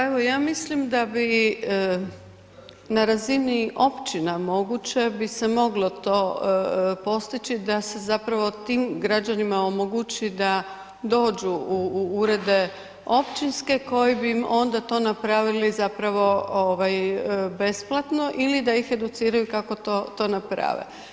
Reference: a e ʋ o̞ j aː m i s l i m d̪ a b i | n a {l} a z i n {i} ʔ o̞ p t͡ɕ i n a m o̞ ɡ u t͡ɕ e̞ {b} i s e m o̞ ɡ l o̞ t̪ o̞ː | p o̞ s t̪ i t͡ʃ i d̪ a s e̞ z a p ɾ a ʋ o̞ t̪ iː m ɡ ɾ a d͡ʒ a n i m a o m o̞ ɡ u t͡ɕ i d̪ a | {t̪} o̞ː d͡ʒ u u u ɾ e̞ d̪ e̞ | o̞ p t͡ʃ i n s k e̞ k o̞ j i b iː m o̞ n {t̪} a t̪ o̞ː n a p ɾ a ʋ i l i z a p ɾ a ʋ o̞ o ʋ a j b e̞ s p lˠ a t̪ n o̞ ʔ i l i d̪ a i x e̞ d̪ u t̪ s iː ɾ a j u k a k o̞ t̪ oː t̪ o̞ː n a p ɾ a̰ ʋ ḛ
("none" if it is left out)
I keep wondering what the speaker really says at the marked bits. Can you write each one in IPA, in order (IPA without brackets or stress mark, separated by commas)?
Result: ɾ, i, b, d̪, d̪